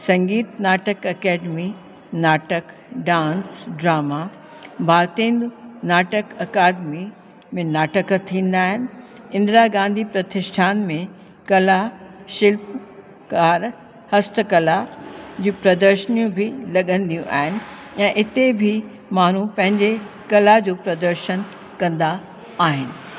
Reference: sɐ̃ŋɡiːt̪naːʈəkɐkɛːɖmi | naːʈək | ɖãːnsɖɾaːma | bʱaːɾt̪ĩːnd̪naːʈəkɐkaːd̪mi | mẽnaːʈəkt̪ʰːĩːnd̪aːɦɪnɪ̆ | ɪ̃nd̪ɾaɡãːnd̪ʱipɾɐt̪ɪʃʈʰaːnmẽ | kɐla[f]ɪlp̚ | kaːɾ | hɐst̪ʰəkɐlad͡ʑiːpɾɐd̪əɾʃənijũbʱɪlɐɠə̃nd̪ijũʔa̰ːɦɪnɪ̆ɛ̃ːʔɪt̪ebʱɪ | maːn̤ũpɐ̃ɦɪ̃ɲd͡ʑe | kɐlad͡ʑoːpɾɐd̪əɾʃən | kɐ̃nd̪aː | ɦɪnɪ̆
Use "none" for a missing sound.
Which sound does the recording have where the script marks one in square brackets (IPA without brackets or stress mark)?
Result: ʃ